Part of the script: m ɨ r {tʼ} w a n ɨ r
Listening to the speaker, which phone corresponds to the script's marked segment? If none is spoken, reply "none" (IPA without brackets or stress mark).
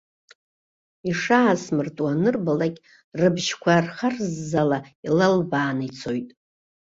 tʼ